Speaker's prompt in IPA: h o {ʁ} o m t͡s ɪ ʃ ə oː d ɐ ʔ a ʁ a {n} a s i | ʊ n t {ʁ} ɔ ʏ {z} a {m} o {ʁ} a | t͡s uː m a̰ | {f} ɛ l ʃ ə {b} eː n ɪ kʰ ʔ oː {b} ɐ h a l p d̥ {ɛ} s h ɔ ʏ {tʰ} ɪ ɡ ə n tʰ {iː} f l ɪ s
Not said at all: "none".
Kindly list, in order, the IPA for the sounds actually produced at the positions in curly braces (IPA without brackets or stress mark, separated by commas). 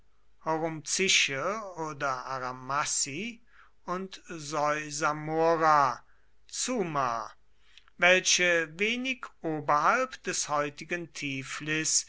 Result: ʁ, m, z, z, m, ʁ, v, v, b, ɛ, t, iː